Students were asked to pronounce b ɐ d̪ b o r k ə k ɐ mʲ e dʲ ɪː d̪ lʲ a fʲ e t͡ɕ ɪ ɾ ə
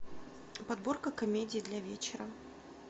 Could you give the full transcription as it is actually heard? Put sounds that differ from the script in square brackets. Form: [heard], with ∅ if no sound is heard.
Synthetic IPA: [p] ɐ d̪ b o r k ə k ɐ mʲ e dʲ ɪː d̪ lʲ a [vʲ] e t͡ɕ ɪ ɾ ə